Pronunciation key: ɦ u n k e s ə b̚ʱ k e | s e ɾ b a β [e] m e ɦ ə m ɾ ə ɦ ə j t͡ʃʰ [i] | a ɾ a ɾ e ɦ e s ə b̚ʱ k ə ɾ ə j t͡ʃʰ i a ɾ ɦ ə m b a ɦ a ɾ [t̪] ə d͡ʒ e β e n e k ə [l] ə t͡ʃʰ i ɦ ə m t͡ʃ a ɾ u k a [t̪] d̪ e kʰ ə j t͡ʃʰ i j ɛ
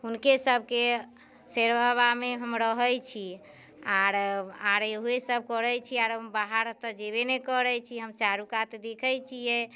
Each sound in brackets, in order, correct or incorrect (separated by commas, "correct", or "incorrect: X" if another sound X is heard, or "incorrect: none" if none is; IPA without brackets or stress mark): incorrect: a, correct, correct, incorrect: ɾ, correct